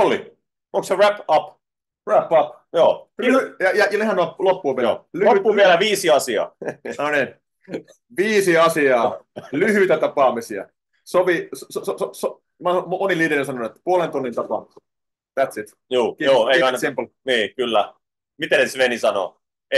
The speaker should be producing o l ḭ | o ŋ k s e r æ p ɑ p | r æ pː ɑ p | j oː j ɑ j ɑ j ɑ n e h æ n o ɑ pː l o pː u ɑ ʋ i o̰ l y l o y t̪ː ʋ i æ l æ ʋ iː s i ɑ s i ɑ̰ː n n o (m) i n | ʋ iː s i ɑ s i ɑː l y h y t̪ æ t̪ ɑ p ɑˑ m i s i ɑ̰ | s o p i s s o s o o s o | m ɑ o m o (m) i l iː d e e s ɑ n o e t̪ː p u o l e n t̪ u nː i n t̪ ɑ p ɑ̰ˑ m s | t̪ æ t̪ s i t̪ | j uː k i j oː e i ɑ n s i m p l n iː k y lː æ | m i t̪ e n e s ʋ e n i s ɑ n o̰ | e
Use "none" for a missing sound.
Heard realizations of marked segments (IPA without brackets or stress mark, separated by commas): n, n